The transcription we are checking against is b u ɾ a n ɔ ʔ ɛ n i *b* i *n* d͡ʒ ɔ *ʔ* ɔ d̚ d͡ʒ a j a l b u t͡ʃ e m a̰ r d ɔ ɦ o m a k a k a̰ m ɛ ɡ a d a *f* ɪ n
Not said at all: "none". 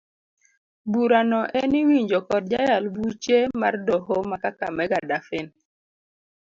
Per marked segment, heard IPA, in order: w, ɲ, k, f

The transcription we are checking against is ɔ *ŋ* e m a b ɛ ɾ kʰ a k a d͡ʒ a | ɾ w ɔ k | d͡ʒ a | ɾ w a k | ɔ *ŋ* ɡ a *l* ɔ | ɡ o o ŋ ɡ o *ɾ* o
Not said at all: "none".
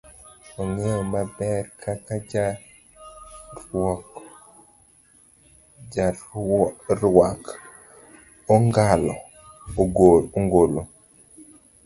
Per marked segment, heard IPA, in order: ŋ, ŋ, l, l

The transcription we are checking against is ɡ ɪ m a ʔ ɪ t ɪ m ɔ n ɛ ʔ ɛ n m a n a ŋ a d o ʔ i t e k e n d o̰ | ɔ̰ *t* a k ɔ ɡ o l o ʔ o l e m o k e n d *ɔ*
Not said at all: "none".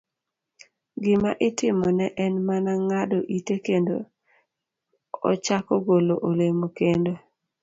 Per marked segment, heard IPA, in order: t͡ʃ, o

